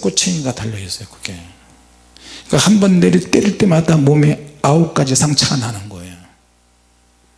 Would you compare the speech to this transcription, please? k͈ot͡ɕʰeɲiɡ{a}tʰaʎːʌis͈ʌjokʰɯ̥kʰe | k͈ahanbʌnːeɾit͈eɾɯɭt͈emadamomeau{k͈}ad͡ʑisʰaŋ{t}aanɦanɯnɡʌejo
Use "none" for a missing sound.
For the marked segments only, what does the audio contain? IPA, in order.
a, k͈, t͡ɕʰ

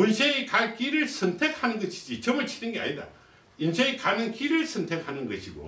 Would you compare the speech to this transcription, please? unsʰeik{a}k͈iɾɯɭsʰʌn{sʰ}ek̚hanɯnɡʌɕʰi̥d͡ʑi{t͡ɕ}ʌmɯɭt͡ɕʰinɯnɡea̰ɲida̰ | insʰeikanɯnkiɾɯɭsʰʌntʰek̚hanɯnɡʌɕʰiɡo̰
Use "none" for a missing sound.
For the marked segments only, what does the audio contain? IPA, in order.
a, tʰ, t͡ɕ

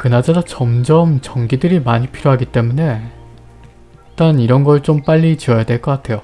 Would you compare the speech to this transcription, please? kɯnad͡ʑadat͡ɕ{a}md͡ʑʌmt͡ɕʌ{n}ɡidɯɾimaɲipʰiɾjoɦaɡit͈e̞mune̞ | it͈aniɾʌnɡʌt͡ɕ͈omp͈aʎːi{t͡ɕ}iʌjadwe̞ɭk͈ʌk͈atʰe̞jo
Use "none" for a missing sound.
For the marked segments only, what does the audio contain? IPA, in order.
ʌ, ŋ, t͡ɕ

